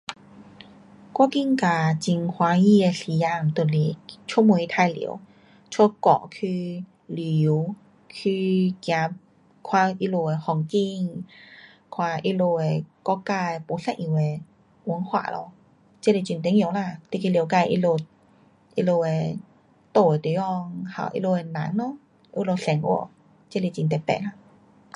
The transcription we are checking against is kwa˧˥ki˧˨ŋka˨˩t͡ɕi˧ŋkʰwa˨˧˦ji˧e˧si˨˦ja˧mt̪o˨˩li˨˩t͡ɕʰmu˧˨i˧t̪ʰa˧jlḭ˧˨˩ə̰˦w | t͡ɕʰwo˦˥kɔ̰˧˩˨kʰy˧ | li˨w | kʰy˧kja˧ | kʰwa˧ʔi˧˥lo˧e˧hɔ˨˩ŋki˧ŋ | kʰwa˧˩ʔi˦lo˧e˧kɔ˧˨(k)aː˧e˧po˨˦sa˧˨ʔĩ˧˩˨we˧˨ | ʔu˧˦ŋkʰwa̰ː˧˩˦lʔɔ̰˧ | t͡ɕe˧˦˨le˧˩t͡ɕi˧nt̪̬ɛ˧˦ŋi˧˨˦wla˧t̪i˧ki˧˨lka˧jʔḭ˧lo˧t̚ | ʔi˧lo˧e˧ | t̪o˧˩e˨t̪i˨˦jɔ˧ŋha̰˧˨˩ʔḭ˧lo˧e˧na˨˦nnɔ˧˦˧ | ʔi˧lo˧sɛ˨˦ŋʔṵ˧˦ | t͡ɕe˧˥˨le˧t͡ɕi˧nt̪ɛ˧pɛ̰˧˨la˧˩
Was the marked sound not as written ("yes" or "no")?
no